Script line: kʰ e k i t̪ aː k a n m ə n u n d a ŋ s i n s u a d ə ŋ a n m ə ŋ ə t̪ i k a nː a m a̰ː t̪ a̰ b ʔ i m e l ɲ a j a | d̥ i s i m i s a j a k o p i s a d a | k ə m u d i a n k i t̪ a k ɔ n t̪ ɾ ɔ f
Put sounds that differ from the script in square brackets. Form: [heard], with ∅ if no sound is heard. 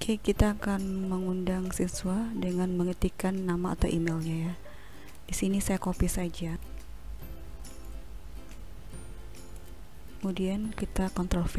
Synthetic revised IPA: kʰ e k i t̪ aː k a n m ə [ŋ] u n d a ŋ s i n s u a d ə ŋ a n m ə ŋ ə t̪ i k a nː a m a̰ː t̪ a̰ [w] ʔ i m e l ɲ a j a | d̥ i s i [n] i s a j a k o p i s a [d͡ʒ] a | k ə m u d i a n k i t̪ a k ɔ n t̪ ɾ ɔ f